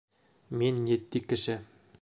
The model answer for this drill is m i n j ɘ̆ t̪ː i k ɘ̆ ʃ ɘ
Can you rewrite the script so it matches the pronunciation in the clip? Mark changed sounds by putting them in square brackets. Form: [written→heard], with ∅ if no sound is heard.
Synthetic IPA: m i n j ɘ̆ t̪ː i k ɘ̆ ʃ ɘ